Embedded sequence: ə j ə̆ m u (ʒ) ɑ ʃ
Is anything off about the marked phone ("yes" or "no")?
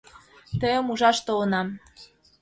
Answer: no